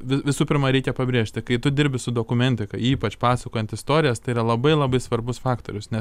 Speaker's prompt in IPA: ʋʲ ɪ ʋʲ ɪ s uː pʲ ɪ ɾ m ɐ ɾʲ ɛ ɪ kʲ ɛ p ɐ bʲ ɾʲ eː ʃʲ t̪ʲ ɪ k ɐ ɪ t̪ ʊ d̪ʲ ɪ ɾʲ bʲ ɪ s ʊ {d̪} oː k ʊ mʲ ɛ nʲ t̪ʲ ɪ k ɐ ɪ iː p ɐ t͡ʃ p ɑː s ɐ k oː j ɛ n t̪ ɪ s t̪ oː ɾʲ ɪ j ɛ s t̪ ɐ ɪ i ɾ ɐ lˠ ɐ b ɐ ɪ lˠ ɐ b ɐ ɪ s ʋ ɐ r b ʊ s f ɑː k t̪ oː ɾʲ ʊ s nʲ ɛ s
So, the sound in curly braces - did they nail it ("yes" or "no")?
yes